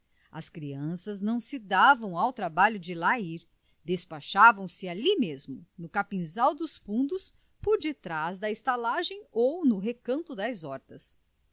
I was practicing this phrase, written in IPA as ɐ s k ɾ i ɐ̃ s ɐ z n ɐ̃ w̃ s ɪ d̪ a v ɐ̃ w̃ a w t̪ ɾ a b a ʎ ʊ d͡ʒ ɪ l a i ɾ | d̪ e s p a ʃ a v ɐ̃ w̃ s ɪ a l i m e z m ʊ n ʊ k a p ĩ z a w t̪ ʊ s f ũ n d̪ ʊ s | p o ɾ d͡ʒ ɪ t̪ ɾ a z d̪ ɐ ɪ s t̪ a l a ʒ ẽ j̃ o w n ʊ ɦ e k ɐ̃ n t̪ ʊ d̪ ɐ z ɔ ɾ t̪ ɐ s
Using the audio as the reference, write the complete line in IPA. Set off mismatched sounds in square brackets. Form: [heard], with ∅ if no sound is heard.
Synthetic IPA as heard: ɐ s k ɾ i ɐ̃ s ɐ z n ɐ̃ w̃ s ɪ d̪ a v ɐ̃ w̃ a w t̪ ɾ a b a ʎ ʊ d͡ʒ ɪ l a i ɾ | d̪ e s p a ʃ a v ɐ̃ w̃ s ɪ a l i m e z m ʊ n ʊ k a p ĩ z a w [d̪] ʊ s f ũ n d̪ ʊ s | p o ɾ d͡ʒ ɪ t̪ ɾ a z d̪ ɐ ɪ s t̪ a l a ʒ ẽ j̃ o w n ʊ ɦ e k ɐ̃ n t̪ ʊ d̪ ɐ z ɔ ɾ t̪ ɐ s